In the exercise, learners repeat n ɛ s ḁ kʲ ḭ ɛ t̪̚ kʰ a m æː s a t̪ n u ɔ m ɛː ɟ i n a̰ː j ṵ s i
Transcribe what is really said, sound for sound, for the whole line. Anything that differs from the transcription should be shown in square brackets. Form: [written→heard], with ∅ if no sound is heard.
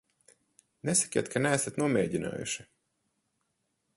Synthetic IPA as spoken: n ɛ s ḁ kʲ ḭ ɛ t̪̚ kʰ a [m→n] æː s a t̪ n u ɔ m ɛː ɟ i n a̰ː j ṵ [s→ʃ] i